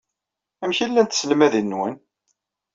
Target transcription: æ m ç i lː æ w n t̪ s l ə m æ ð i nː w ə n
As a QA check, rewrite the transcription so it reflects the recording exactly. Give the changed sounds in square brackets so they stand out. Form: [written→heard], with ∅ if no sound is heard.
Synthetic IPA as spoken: æ m ç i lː æ [w→∅] n t̪ s l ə m æ ð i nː w ə n